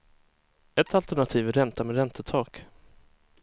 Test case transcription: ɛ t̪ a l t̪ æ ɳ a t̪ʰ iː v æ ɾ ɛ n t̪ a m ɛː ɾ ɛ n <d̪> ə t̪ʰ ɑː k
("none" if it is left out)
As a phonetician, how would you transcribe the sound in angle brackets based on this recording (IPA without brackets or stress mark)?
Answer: t̪